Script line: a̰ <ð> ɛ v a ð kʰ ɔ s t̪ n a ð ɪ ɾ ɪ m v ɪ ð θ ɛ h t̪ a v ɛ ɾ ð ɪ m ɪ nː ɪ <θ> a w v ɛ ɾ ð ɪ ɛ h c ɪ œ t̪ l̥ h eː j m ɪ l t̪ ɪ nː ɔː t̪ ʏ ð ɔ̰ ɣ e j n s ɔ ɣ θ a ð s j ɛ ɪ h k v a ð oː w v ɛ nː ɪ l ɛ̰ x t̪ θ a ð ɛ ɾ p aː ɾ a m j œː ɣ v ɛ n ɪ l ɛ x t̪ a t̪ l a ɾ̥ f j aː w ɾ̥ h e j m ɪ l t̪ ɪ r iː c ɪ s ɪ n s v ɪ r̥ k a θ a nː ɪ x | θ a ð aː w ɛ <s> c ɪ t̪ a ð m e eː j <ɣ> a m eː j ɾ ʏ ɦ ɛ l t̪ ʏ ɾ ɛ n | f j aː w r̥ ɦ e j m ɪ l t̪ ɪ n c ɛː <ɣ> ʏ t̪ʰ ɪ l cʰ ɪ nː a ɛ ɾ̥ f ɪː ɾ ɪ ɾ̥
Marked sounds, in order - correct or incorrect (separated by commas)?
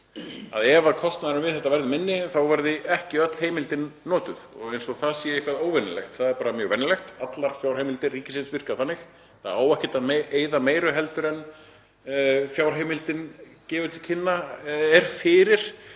correct, correct, incorrect, incorrect, incorrect